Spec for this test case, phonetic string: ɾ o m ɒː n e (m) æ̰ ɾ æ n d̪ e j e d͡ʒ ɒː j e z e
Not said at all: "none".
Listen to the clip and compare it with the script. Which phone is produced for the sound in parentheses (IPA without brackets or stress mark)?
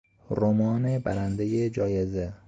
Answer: b